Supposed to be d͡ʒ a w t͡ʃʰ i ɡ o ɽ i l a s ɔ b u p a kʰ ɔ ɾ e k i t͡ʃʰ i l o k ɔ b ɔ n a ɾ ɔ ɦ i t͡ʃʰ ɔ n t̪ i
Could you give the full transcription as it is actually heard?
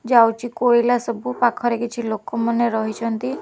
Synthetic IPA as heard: d͡ʒ a w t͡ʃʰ i k o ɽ i l a s ɔ b u p a kʰ ɔ ɾ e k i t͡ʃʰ i l o k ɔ m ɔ n e ɾ ɔ ɦ i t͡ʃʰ ɔ n t̪ i